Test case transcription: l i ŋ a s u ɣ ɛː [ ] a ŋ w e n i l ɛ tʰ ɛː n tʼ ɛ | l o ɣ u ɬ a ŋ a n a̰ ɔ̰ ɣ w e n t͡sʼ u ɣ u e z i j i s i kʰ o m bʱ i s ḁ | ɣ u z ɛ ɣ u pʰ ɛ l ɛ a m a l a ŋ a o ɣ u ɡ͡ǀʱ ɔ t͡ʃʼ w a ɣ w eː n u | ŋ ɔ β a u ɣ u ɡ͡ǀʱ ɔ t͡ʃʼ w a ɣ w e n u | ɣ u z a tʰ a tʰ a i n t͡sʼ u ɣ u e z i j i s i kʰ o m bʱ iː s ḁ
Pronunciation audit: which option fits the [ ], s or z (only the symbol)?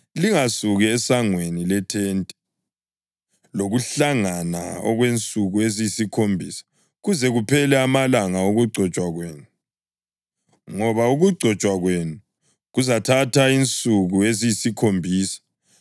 s